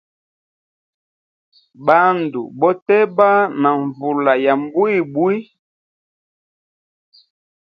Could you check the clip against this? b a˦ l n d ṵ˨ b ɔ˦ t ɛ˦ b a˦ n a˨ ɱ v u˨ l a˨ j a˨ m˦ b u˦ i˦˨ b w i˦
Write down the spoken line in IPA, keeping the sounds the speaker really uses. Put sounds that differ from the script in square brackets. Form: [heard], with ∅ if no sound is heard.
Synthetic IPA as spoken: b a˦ [∅] n d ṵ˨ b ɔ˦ t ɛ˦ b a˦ n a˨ ɱ v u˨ l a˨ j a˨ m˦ b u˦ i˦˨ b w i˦